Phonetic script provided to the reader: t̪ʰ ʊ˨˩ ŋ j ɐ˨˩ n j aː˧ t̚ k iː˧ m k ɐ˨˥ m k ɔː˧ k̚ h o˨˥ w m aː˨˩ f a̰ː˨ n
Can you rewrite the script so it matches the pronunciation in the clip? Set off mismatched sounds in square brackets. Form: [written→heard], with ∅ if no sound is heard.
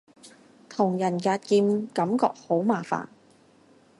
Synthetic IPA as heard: t̪ʰ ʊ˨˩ ŋ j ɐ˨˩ n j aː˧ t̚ k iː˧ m k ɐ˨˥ m k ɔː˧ k̚ h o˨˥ w m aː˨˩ f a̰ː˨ n